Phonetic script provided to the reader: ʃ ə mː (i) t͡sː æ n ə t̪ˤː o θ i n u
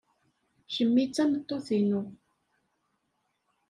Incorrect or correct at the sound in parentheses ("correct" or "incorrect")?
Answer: correct